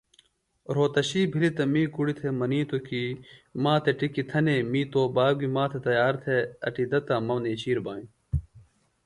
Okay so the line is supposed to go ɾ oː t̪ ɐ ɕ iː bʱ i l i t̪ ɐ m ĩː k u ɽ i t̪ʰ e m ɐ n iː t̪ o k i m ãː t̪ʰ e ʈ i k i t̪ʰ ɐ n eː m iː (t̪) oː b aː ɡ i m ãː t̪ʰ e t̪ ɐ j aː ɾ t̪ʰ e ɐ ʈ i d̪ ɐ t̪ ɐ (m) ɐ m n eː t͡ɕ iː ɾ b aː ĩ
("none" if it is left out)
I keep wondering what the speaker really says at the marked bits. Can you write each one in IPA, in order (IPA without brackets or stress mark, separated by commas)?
t̪, m